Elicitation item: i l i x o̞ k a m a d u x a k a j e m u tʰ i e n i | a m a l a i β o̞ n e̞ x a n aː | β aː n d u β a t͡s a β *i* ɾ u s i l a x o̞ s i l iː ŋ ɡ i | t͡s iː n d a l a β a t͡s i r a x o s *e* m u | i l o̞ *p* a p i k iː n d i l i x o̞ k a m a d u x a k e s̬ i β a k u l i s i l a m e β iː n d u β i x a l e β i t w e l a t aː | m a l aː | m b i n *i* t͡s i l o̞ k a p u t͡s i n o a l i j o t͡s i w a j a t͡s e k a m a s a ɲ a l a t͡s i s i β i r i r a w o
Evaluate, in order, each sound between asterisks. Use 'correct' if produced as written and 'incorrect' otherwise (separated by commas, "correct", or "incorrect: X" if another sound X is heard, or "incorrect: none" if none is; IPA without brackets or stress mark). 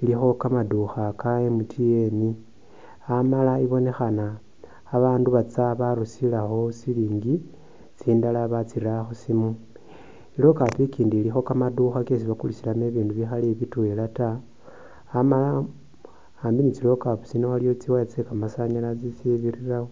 incorrect: a, incorrect: i, incorrect: k, correct